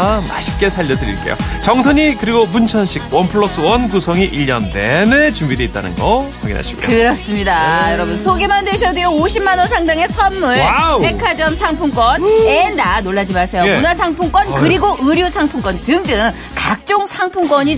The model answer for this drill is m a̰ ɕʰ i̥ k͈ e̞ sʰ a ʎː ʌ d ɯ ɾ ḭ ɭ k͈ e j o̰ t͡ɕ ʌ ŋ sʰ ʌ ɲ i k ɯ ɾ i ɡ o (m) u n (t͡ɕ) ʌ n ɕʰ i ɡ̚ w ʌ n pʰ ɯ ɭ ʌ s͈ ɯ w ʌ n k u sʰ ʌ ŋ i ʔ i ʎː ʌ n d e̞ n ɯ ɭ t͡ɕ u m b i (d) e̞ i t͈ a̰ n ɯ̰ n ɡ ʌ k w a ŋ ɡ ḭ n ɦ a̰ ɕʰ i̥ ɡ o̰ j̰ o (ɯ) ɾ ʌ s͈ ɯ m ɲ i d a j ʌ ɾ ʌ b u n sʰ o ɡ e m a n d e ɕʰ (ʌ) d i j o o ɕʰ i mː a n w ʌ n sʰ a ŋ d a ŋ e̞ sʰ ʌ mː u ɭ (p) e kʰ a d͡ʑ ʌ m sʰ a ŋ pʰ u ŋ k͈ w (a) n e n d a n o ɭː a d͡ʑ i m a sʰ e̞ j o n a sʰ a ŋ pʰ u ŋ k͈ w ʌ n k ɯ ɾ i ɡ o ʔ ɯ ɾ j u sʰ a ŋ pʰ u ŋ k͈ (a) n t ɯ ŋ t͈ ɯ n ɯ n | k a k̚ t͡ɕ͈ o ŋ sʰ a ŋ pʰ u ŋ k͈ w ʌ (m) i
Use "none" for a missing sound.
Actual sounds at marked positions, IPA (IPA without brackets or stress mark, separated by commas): m, t͡ɕʰ, d, ɯ, ʌ, p, ʌ, ʌ, ɲ